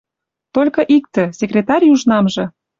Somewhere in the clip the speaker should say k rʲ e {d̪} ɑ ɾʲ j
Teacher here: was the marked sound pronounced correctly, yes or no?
no